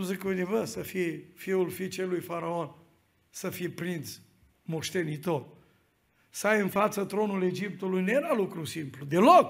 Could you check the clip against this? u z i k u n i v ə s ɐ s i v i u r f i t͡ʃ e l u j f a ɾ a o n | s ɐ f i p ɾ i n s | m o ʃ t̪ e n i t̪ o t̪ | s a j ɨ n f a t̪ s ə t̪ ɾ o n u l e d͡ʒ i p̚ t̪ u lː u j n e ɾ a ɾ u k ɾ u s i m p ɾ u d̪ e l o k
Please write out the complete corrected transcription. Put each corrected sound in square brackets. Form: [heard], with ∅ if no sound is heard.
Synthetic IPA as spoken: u z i k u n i v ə s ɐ [f] i [f] i u [l] f i t͡ʃ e l u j f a ɾ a o n | s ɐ f i p ɾ i n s | m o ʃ t̪ e n i t̪ o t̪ | s a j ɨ n f a t̪ s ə t̪ ɾ o n u l e d͡ʒ i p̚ t̪ u [l] u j n e ɾ a [l] u k ɾ u s i m p [l] u d̪ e l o k